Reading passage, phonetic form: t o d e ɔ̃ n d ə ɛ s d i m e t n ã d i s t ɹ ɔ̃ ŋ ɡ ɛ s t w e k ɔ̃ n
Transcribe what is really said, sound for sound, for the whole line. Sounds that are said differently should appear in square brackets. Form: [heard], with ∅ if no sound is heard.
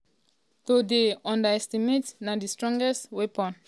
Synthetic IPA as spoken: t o d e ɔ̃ n d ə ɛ s [t] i m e t n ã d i s t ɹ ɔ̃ ŋ ɡ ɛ s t w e [p] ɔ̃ n